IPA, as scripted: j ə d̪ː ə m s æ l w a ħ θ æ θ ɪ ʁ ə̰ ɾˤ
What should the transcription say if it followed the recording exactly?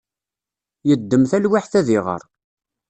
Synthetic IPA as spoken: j ə d̪ː ə m θ æ l w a ħ θ æ ð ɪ ʁ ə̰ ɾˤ